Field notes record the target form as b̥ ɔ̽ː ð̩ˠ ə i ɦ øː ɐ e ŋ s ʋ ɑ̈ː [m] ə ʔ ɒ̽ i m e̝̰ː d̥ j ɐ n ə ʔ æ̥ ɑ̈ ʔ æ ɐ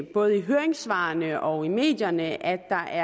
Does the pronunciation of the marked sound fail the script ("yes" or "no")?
yes